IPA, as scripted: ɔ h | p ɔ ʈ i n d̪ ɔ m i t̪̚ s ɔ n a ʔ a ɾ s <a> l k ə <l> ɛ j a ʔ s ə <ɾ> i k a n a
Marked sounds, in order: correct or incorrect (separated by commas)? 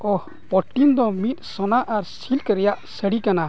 incorrect, incorrect, incorrect